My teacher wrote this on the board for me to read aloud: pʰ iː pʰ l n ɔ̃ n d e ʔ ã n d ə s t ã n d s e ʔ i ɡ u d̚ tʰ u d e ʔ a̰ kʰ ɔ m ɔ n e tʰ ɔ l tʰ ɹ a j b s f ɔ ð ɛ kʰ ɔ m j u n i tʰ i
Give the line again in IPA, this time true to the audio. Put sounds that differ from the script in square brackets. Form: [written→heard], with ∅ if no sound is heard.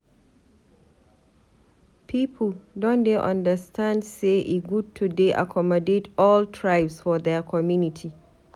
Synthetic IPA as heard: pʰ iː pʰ l [n→d] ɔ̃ n d e ʔ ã n d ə s t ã n d s e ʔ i ɡ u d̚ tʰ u d e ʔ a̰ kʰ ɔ m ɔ [n→d] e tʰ ɔ l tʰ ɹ a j b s f ɔ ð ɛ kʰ ɔ m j u n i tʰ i